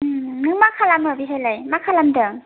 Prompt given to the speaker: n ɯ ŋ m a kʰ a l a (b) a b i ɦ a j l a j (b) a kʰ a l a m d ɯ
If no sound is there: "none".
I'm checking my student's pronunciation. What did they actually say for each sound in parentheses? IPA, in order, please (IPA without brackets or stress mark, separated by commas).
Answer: m, m